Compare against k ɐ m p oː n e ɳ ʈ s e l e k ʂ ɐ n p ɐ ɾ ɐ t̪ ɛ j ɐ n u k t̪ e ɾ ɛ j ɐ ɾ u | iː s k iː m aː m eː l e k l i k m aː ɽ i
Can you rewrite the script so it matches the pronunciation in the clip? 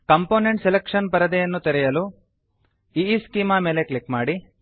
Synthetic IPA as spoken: k ɐ m p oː n e ɳ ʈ s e l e k ʂ ɐ n p ɐ ɾ ɐ d̪ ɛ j ɐ nː u t̪ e ɾ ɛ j ɐ l u | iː s k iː m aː m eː l e k l i k m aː ɽ i

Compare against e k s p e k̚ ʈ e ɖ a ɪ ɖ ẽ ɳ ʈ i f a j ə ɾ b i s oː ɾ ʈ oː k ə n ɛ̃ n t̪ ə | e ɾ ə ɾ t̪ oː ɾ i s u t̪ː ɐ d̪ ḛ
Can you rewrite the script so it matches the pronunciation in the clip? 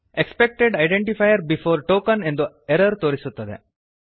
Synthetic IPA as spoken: e k s p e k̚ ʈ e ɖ a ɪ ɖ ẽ ɳ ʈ i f a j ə ɾ b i f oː ɾ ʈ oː k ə n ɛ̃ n d̪ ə | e ɾ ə ɾ t̪ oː ɾ i s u t̪ː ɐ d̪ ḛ

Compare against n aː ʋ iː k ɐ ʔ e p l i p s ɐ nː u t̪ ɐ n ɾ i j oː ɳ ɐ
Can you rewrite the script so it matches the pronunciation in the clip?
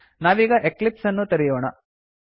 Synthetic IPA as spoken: n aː ʋ iː ɡ ɐ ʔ e k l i p s ɐ nː u t̪ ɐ ɾ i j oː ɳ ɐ

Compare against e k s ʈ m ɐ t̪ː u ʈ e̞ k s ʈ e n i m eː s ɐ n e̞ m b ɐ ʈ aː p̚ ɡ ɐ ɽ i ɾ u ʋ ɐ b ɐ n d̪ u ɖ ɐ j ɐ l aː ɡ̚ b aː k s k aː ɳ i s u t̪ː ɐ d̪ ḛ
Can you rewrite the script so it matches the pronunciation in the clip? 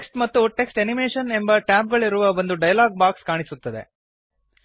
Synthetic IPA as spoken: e k s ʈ m ɐ t̪ː u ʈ e̞ k s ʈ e n i m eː ʂ ɐ n e̞ m b ɐ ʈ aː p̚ ɡ ɐ ɭ i ɾ u ʋ ɐ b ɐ n d̪ u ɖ ɐ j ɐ l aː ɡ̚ b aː k s k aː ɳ i s u t̪ː ɐ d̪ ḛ

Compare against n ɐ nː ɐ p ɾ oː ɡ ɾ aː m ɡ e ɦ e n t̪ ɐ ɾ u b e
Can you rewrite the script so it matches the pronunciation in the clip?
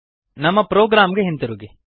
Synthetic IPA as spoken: n ɐ mː ɐ p ɾ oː ɡ ɾ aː m ɡ e ɦ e n t̪ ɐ ɾ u ɡ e

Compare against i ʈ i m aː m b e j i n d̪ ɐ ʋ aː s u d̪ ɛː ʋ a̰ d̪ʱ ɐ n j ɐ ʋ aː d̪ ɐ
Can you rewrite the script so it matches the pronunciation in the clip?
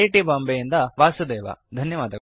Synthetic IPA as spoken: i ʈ i b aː m b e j i n d̪ ɐ ʋ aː s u d̪ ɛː ʋ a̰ d̪ʱ ɐ n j ɐ ʋ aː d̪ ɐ

